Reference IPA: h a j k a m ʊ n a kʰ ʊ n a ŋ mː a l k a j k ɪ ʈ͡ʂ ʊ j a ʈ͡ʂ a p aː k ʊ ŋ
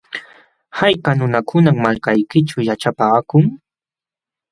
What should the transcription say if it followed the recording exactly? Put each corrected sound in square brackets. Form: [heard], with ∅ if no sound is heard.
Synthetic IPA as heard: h a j k a [n] ʊ n a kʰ ʊ n a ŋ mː a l k a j k ɪ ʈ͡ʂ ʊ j a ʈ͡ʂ a p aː k ʊ ŋ